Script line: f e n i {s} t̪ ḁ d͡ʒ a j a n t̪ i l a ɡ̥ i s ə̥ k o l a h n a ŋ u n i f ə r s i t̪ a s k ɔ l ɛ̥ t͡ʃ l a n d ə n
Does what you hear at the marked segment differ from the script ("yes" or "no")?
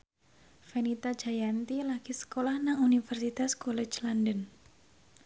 yes